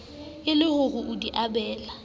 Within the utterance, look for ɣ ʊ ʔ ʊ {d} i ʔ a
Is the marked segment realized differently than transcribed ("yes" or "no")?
no